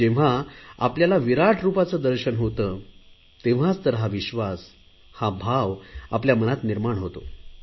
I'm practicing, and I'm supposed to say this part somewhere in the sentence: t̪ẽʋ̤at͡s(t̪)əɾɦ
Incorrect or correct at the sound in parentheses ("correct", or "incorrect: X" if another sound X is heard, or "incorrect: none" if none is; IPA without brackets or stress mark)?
correct